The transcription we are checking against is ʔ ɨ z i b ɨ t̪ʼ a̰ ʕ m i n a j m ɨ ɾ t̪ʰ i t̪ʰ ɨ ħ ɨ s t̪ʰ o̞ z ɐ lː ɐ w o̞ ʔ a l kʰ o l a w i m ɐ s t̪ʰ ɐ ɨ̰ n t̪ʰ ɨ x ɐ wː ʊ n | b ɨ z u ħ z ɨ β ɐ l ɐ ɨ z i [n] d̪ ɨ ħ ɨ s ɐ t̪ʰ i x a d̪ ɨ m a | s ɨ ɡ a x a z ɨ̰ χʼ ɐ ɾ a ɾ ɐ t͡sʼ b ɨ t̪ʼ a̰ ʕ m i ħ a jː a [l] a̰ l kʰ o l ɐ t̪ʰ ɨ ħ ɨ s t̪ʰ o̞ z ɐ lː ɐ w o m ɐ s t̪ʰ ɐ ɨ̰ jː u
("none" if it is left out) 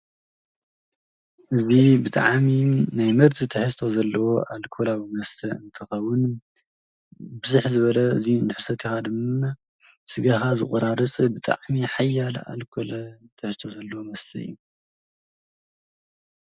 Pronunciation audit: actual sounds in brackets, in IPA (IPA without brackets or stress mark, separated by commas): n, l